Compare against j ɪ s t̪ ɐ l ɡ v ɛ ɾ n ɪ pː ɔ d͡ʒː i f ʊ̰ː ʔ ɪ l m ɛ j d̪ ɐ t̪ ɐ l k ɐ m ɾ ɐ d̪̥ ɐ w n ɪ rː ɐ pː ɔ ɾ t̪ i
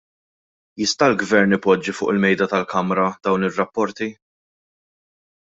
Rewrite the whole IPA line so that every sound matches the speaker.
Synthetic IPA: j ɪ s t̪ ɐ l ɡ v ɛ ɾ n ɪ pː ɔ d͡ʒː i f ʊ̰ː ʔ ɪ l m ɛ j d̪ ɐ t̪ ɐ l k ɐ m ɾ ɐ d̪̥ ɐ w n ɪ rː ɐ pː ɔ ɾ t̪ i